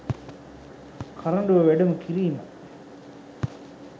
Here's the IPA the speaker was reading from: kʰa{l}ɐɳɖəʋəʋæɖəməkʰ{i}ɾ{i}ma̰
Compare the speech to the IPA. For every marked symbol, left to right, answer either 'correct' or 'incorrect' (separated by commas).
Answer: incorrect, correct, incorrect